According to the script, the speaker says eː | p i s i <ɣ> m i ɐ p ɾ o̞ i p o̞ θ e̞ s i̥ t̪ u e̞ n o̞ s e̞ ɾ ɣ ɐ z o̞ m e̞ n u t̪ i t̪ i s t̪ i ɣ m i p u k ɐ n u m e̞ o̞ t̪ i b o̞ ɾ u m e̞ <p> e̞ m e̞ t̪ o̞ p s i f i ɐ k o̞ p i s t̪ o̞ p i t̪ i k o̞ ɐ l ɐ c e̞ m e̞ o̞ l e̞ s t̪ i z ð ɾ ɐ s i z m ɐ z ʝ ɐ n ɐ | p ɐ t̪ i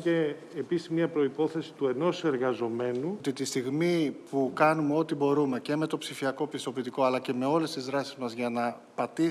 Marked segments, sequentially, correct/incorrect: incorrect, incorrect

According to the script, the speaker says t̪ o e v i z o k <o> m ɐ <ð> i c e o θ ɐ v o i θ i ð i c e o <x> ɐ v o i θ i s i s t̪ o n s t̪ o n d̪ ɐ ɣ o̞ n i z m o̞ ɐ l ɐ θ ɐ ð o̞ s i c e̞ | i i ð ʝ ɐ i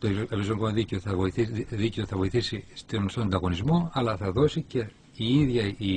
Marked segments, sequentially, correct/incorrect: correct, correct, incorrect

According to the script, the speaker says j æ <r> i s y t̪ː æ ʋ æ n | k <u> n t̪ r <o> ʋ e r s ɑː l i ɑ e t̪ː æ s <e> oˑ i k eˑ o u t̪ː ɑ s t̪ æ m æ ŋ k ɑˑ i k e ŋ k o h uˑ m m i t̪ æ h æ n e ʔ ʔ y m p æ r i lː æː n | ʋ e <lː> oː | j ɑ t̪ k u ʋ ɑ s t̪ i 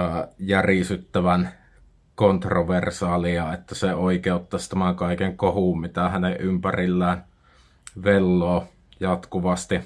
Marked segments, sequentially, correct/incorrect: correct, incorrect, correct, correct, correct

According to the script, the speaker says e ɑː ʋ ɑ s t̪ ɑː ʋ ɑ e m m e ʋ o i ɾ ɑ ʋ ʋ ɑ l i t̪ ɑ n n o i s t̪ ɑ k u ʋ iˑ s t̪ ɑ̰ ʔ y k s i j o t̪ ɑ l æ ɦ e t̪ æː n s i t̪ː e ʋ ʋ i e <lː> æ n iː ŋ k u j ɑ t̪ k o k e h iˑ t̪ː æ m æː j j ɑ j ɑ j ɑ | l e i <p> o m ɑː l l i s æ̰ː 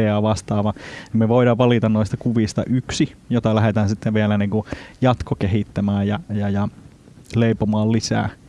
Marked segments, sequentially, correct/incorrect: incorrect, correct

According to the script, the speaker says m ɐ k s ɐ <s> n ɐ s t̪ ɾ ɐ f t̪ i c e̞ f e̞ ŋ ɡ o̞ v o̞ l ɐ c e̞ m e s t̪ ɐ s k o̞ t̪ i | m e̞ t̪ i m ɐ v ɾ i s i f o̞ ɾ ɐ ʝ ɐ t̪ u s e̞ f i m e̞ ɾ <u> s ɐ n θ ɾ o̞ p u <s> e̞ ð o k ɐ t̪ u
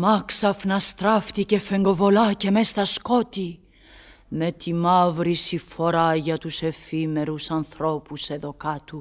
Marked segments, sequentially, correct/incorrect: incorrect, correct, correct

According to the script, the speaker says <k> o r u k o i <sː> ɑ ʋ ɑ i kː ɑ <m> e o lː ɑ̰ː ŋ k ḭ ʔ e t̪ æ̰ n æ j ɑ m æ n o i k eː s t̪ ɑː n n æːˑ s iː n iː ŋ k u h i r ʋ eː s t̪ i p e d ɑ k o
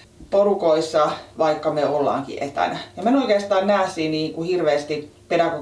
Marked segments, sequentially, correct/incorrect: incorrect, correct, correct

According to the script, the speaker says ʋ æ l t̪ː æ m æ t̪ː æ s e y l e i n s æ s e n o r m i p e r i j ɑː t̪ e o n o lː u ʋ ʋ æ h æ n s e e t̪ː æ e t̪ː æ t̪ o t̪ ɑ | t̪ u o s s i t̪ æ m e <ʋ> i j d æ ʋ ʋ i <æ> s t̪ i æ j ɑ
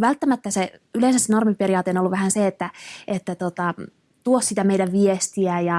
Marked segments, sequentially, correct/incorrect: incorrect, incorrect

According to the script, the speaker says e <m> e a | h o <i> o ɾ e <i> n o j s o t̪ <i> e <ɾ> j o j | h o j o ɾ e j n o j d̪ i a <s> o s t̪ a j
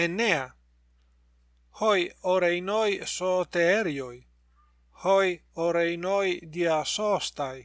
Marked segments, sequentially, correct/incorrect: incorrect, incorrect, incorrect, incorrect, correct, correct

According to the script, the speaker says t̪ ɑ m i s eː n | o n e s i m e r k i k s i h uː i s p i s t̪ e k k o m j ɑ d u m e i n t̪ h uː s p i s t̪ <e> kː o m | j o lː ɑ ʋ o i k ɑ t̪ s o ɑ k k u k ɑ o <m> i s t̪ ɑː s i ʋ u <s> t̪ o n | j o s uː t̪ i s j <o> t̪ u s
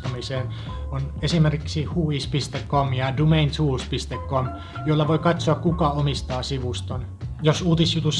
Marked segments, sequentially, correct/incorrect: correct, correct, correct, incorrect

